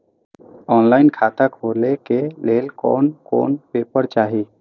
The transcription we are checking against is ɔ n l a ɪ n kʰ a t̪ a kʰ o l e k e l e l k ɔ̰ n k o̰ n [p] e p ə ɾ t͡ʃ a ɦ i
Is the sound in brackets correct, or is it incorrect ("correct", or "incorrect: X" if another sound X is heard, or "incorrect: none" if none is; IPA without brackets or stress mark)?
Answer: correct